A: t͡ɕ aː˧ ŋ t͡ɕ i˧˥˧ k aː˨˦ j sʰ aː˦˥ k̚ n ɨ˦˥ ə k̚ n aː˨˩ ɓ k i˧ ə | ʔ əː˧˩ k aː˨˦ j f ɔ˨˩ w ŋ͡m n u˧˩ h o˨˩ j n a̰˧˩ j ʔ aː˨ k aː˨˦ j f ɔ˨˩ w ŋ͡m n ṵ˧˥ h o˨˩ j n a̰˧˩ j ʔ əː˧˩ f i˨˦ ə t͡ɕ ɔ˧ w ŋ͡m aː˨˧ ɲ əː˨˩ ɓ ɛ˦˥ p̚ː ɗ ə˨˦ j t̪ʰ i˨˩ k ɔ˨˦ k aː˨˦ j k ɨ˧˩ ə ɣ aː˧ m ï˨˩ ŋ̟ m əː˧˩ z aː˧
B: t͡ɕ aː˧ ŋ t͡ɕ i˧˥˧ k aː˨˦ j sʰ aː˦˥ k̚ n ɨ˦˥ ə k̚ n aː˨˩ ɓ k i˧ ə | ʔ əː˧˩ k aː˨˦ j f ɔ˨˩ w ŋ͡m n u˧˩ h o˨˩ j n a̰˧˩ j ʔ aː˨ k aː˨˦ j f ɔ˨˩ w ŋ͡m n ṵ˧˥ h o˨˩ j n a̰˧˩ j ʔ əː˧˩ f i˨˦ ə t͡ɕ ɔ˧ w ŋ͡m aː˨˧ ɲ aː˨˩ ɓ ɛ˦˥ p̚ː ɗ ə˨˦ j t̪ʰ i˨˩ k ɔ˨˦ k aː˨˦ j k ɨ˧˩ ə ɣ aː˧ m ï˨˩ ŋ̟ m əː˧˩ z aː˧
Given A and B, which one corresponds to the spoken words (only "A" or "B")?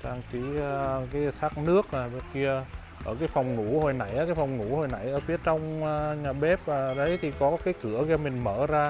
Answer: B